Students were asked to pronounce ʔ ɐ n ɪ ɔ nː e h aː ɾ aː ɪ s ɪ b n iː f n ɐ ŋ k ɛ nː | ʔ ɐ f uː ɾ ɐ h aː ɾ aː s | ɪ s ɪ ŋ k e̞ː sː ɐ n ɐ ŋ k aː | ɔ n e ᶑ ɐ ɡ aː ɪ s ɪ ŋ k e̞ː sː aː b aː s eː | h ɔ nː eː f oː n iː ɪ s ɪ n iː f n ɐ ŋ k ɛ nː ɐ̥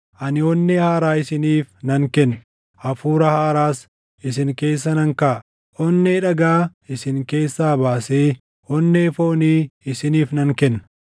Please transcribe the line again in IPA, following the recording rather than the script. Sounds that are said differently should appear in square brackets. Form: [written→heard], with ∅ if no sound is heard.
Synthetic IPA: ʔ ɐ n ɪ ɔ nː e h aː ɾ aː ɪ s ɪ [b→∅] n iː f n ɐ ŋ k ɛ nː | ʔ ɐ f uː ɾ ɐ h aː ɾ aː s | ɪ s ɪ ŋ k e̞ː sː ɐ n ɐ ŋ k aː | ɔ [n→nː] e ᶑ ɐ ɡ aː ɪ s ɪ ŋ k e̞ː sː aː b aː s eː | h ɔ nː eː f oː n iː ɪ s ɪ n iː f n ɐ ŋ k ɛ nː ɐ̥